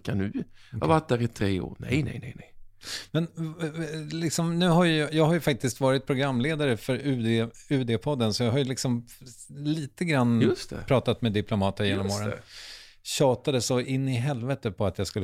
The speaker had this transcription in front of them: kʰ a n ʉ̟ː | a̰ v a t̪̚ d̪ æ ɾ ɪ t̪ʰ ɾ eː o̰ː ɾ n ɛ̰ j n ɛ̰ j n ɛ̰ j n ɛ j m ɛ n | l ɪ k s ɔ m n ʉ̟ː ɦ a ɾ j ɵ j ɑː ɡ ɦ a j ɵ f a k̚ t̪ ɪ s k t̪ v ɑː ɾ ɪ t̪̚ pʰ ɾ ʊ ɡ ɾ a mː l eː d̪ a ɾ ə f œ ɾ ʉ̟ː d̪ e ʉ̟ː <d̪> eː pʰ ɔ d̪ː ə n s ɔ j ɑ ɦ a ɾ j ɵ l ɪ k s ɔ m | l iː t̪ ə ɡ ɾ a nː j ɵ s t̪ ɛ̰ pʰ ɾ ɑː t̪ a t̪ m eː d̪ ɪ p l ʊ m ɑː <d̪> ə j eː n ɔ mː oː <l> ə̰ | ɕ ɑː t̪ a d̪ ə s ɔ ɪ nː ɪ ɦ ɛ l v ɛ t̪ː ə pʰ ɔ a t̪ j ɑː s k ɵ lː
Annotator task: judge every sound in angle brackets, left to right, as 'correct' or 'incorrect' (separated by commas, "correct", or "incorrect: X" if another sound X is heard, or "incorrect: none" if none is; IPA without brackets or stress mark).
correct, incorrect: t̪, incorrect: ɾ